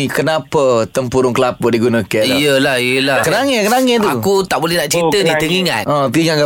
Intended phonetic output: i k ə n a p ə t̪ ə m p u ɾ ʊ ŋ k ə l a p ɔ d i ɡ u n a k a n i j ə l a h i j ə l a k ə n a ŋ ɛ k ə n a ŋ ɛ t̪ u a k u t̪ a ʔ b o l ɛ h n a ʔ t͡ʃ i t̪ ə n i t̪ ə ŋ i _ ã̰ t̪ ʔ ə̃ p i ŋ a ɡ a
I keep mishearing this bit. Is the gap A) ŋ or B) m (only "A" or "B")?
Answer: A